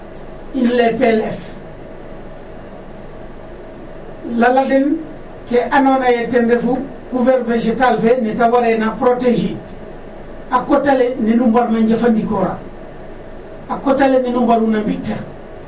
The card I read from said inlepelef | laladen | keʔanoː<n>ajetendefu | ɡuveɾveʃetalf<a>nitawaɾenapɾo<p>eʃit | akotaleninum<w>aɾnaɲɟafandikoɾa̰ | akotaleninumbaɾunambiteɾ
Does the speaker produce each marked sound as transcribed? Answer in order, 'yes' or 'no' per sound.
yes, no, no, no

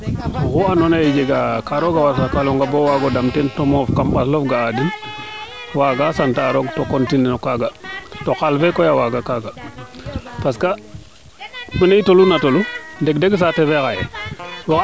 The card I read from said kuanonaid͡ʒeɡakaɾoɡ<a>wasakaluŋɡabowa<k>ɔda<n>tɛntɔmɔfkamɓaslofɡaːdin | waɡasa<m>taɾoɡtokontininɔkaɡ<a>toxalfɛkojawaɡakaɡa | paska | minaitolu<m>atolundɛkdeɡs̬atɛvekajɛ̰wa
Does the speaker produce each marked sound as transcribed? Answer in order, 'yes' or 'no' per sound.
yes, no, no, no, yes, no

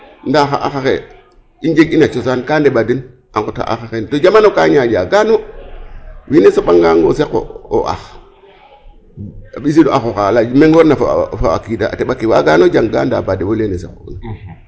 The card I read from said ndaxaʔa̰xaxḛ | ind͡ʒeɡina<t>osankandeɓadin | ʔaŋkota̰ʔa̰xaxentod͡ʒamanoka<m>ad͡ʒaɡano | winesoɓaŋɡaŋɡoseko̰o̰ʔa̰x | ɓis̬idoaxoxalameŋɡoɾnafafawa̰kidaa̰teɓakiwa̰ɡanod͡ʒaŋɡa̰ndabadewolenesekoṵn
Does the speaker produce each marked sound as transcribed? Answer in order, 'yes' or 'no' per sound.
no, no

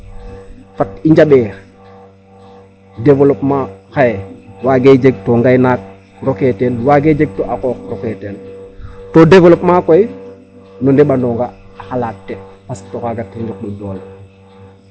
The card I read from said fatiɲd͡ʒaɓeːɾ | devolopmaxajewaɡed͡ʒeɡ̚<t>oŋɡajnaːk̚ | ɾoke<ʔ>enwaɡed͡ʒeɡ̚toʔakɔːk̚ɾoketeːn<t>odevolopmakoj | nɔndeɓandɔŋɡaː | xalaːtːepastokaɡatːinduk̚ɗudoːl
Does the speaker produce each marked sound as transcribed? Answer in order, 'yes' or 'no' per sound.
yes, no, yes

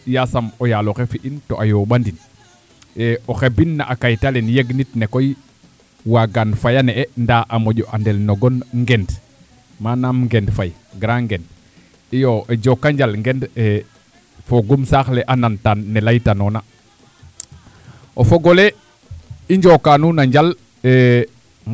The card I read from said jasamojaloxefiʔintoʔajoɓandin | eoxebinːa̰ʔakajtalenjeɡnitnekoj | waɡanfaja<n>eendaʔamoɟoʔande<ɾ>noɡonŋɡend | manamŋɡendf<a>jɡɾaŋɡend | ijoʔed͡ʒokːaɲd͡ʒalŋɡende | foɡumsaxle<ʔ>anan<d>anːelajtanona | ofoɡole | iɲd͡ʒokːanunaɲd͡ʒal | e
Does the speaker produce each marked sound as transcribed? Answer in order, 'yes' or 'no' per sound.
yes, no, yes, yes, no

